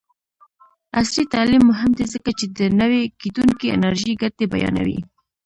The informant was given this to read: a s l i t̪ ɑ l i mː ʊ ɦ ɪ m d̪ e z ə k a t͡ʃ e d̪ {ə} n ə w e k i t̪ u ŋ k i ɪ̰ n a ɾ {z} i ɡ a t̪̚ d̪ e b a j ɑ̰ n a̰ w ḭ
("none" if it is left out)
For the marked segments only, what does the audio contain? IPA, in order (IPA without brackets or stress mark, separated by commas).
ə, ʒ